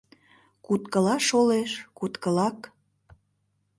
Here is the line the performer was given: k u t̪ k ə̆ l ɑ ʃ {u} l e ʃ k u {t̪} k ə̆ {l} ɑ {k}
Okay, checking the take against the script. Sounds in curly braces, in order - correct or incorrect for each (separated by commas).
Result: incorrect, correct, correct, correct